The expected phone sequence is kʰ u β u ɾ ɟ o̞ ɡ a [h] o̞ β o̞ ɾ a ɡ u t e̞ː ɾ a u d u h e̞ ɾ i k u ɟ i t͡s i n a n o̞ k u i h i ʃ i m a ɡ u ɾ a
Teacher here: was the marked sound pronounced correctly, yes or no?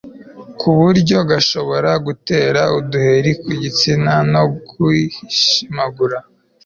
no